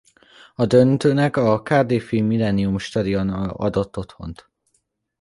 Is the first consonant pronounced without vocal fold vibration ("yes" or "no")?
no